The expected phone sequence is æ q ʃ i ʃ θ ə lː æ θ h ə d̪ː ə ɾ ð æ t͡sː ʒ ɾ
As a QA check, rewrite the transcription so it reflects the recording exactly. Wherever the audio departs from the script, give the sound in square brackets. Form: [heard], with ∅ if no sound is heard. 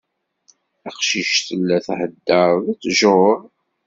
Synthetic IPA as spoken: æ q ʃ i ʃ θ ə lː æ θ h ə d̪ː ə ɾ ð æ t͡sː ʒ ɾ